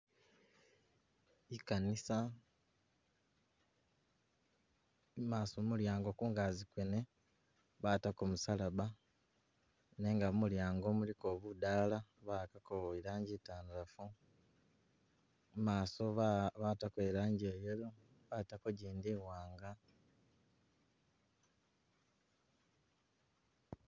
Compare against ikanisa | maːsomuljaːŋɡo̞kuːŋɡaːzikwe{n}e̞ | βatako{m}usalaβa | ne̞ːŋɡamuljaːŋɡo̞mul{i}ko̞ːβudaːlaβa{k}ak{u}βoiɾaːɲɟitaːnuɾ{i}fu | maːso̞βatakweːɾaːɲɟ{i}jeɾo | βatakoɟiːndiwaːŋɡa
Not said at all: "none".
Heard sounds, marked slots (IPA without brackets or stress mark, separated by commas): n, m, i, k, o, a, e